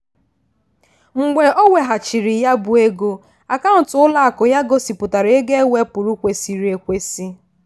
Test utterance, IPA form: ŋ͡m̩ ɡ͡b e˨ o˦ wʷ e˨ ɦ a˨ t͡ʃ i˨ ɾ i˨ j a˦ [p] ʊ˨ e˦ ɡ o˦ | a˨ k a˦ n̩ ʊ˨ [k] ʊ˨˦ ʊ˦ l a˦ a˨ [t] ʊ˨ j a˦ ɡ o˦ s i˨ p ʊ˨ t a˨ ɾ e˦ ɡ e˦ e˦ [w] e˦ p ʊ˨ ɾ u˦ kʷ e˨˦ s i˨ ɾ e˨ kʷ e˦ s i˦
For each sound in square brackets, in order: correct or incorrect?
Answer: incorrect, incorrect, incorrect, correct

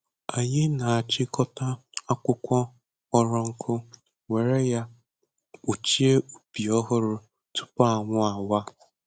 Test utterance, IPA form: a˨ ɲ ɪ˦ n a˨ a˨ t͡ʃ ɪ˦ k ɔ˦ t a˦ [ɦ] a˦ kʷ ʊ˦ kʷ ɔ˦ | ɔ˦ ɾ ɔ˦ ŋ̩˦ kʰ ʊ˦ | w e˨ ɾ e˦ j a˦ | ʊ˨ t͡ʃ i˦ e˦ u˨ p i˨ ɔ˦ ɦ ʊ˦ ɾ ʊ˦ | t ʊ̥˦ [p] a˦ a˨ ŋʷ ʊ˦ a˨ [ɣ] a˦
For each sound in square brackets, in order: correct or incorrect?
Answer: incorrect, correct, incorrect

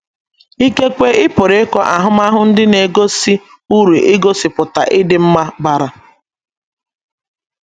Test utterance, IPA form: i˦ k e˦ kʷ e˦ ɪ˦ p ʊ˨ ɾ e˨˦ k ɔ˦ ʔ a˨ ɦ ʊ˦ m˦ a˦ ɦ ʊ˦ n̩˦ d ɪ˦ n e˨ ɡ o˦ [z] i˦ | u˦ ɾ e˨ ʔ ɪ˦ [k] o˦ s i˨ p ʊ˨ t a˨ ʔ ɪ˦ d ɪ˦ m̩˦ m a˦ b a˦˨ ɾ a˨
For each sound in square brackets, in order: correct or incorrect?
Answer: incorrect, incorrect

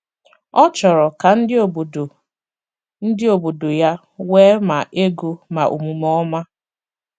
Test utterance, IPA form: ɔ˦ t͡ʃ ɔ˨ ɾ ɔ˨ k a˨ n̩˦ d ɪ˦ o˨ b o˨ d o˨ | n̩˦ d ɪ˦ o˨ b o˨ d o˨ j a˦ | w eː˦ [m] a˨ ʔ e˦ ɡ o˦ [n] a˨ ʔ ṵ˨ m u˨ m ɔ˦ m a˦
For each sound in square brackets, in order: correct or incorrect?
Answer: correct, incorrect

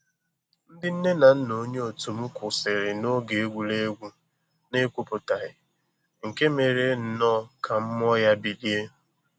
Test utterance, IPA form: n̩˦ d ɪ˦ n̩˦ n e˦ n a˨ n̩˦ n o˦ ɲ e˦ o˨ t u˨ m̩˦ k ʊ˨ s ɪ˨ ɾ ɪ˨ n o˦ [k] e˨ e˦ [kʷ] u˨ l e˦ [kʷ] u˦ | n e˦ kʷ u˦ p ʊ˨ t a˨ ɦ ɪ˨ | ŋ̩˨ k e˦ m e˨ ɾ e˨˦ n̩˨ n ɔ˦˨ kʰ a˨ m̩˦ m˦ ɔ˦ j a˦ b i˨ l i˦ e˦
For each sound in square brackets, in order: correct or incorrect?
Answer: incorrect, incorrect, incorrect

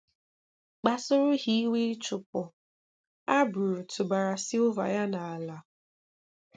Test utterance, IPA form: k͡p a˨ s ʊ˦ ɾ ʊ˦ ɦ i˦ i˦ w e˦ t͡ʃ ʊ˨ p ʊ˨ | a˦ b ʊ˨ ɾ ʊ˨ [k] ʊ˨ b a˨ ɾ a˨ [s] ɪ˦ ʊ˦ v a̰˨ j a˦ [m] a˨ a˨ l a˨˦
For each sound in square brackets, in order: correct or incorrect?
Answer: incorrect, correct, incorrect

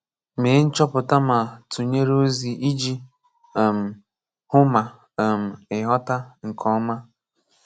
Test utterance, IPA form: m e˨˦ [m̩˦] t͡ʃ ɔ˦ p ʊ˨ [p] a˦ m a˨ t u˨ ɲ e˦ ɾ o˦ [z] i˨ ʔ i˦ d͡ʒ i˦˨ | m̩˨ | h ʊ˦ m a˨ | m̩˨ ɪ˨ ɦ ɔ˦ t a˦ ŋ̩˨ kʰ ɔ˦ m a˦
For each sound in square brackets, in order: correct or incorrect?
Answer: incorrect, incorrect, correct

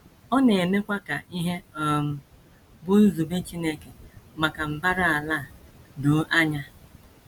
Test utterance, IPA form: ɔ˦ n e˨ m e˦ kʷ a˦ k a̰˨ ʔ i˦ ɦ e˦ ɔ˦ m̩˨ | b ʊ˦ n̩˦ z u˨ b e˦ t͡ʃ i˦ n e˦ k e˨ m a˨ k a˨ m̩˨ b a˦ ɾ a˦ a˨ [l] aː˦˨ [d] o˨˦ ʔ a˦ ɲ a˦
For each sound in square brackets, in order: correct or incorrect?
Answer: correct, correct

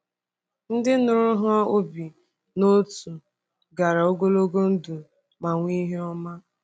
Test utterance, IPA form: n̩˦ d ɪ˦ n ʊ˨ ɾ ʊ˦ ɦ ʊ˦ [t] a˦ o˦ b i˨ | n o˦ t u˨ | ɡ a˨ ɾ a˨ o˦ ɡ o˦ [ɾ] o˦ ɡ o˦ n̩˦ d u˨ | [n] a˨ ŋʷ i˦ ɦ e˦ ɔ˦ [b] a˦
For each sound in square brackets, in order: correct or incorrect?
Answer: incorrect, incorrect, incorrect, incorrect

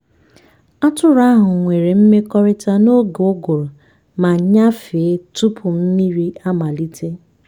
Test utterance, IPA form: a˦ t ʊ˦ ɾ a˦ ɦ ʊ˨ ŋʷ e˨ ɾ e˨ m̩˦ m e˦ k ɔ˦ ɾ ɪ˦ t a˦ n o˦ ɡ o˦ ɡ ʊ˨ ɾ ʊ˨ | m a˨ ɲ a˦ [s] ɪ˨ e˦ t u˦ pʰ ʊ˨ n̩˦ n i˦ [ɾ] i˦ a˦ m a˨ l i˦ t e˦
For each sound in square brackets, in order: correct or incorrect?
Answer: incorrect, correct

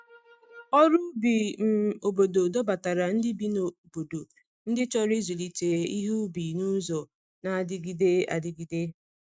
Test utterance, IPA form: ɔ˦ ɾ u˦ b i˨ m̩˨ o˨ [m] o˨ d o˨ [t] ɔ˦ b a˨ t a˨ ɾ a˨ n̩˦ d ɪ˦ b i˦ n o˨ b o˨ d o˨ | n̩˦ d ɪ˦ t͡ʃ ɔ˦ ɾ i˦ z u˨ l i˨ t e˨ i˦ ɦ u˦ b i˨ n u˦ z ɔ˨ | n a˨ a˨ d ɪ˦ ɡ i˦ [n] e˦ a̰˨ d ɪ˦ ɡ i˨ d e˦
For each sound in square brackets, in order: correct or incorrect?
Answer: incorrect, incorrect, incorrect

